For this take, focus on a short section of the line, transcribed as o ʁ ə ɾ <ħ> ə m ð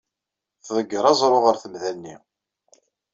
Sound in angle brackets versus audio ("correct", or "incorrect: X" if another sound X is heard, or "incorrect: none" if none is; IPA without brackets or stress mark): incorrect: θ